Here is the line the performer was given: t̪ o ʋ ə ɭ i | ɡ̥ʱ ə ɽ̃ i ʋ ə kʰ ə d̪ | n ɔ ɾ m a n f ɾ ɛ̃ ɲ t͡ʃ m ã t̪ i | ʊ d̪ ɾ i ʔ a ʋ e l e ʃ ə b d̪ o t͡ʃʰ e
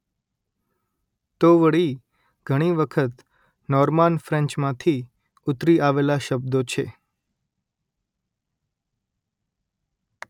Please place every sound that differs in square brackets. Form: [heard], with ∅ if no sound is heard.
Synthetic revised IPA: t̪ o ʋ ə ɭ i | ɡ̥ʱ ə ɽ̃ i ʋ ə kʰ ə [t̪] | n ɔ ɾ m a n f ɾ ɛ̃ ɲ t͡ʃ m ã [t̪ʰ] i | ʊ [t̪] ɾ i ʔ a ʋ e l [a] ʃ ə b d̪ o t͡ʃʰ e

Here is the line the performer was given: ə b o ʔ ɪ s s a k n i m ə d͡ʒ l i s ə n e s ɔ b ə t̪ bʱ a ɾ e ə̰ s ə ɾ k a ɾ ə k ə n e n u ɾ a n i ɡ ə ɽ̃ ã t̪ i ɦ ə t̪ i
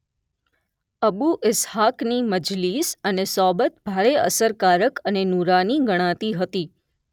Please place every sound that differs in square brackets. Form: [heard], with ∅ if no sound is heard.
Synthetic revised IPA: ə b [u] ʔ ɪ s [h] a k n i m ə d͡ʒ l i s ə n e s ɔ b ə t̪ bʱ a ɾ e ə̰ s ə ɾ k a ɾ ə k ə n e n u ɾ a n i ɡ ə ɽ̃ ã t̪ i ɦ ə t̪ i

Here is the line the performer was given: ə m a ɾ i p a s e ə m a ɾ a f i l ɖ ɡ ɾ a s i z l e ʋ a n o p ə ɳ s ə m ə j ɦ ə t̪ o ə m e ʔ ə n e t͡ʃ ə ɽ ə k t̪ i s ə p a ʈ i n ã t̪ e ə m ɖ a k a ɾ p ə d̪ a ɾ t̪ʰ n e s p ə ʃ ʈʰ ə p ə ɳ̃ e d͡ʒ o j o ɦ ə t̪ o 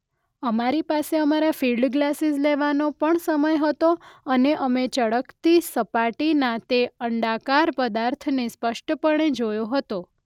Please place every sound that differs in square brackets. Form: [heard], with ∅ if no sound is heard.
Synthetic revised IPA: ə m a ɾ i p a s e ə m a ɾ a f i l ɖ ɡ [l] a s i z l e ʋ a n o p ə ɳ s ə m ə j ɦ ə t̪ o ə [n] e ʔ ə [m] e t͡ʃ ə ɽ ə k t̪ i s ə p a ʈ i n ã t̪ e ə [ɳ] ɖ a k a ɾ p ə d̪ a ɾ t̪ʰ n e s p ə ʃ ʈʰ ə p ə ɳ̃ e d͡ʒ o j o ɦ ə t̪ o

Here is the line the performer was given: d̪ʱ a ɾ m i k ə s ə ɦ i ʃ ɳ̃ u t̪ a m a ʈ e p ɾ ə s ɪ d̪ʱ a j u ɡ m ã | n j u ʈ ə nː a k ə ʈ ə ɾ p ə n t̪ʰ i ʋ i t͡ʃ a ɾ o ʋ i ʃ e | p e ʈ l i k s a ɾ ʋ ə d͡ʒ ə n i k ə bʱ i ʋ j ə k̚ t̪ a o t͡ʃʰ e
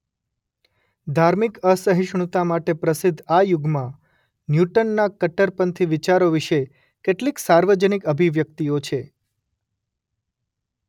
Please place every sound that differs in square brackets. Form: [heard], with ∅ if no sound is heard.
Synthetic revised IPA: d̪ʱ a ɾ m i k ə s ə ɦ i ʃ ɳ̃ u t̪ a m a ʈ e p ɾ ə s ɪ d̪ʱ a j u ɡ m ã | n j u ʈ ə nː a k ə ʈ ə ɾ p ə n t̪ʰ i ʋ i t͡ʃ a ɾ o ʋ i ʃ e | [k] e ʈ l i k s a ɾ ʋ ə d͡ʒ ə n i k ə bʱ i ʋ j ə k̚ t̪ [i] o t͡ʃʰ e

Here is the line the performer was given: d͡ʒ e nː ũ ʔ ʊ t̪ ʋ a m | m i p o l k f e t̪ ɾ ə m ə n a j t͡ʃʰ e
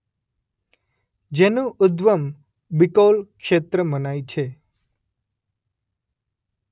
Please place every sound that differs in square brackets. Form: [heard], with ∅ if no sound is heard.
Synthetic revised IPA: d͡ʒ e [n] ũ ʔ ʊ [d̪] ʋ [ə] m | [b] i [k] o l k [ʃ] e t̪ ɾ ə m ə n a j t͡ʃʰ e

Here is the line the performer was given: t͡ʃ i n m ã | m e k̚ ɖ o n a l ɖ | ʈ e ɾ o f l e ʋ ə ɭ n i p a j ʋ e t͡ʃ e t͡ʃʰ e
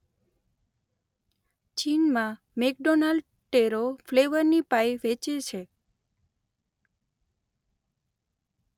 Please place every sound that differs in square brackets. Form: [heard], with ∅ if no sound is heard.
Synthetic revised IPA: t͡ʃ i n m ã | m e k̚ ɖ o n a l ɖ | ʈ e ɾ o f l e ʋ ə [ɾ] n i p a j ʋ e t͡ʃ e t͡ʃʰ e

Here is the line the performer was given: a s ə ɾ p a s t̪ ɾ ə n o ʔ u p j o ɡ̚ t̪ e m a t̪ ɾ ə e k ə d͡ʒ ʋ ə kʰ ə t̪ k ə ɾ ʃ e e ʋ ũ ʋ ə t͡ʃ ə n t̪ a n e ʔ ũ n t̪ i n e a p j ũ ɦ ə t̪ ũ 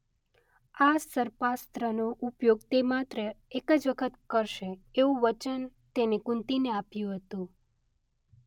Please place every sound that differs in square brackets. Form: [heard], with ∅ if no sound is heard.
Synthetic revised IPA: a s ə ɾ p a s t̪ ɾ ə n o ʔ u p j o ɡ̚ t̪ e m a t̪ ɾ ə e k ə d͡ʒ ʋ ə kʰ ə t̪ k ə ɾ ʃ e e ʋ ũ ʋ ə t͡ʃ ə n t̪ [e] n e [k] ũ n t̪ i n e a p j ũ ɦ ə t̪ ũ

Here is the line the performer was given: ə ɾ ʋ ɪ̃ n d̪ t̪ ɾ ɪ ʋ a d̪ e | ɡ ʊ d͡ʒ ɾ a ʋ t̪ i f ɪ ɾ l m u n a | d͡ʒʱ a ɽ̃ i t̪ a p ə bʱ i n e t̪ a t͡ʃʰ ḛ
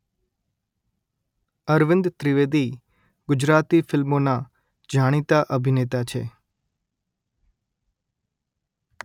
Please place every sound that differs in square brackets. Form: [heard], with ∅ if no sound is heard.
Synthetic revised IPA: ə ɾ ʋ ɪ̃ n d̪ t̪ ɾ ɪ ʋ [e] d̪ [i] | ɡ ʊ d͡ʒ ɾ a [∅] t̪ i f ɪ [∅] l m [o] n a | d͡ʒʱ a ɽ̃ i t̪ a [ʔ] ə bʱ i n e t̪ a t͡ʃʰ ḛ

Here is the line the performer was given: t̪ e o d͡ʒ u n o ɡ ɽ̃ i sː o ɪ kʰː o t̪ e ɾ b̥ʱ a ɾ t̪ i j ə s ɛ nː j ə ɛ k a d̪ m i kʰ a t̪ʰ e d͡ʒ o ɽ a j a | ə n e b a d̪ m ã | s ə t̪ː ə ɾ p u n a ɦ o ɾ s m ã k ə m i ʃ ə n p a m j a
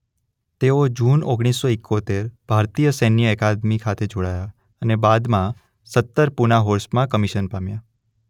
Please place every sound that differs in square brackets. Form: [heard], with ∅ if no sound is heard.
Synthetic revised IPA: t̪ e o d͡ʒ u n o ɡ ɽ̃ i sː o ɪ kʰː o t̪ e ɾ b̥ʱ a ɾ t̪ i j ə s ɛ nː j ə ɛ k a d̪ m i kʰ a t̪ʰ e d͡ʒ o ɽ a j a | ə n e b a d̪ m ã | s ə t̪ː ə ɾ p u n a ɦ o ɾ s m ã k ə m i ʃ ə n p a m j a

